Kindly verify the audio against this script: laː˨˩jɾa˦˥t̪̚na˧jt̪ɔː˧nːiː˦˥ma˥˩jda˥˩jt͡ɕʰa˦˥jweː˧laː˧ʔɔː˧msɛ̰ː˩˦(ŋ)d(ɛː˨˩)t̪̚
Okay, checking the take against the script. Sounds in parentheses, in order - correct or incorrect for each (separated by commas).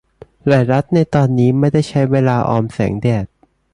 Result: correct, correct